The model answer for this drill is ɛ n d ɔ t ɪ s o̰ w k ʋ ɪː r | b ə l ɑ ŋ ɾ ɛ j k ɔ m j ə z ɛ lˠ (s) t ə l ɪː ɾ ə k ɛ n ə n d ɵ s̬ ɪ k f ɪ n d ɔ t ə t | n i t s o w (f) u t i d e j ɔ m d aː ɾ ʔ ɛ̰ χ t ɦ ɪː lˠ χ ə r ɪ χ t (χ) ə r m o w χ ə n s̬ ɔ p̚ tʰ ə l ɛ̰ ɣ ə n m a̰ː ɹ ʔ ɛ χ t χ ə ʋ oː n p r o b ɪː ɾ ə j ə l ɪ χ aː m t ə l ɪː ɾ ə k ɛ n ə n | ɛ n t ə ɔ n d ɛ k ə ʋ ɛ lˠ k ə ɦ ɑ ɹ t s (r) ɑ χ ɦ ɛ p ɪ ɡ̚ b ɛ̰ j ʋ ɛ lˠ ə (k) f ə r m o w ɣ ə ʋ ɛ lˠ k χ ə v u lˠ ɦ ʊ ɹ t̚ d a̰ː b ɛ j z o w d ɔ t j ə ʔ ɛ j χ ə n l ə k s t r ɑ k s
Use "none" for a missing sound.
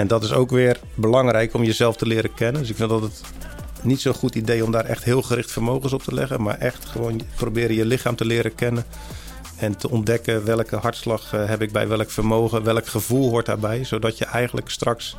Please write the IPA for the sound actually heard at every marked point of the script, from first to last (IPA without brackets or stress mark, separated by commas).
f, χ, f, l, k